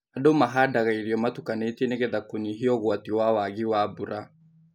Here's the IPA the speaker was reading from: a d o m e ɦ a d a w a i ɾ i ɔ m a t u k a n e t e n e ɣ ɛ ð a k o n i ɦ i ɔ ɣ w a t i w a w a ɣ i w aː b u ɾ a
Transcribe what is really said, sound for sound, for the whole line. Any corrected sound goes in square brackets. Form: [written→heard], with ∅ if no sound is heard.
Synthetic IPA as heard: a d o m [e→a] ɦ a d a [w→ɣ] a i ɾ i ɔ m a t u k a n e t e n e ɣ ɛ ð a k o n i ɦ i ɔ ɣ w a t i w a w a ɣ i w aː b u ɾ a